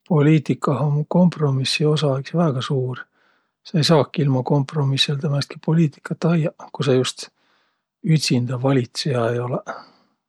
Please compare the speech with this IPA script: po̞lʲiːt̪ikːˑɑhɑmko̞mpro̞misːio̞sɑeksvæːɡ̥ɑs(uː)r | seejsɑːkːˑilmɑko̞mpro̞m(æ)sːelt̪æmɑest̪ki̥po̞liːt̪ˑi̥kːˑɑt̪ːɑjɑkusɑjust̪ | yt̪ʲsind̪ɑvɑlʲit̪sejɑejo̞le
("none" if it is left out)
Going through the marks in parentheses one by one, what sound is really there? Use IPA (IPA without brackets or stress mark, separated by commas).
uː, i